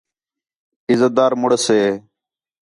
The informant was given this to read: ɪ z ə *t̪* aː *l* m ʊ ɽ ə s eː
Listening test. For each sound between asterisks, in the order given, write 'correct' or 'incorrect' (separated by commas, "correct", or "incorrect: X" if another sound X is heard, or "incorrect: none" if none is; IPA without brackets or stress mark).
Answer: incorrect: d̪, incorrect: ɾ